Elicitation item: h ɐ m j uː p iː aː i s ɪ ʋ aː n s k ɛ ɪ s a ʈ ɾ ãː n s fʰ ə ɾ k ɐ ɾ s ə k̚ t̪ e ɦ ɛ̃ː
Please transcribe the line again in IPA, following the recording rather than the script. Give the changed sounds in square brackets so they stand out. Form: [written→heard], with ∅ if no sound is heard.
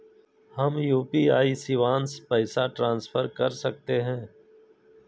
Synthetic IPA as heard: h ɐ m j uː p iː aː i s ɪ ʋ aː n s [k→p] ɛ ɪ s a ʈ ɾ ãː n s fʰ ə ɾ k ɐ ɾ s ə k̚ t̪ e ɦ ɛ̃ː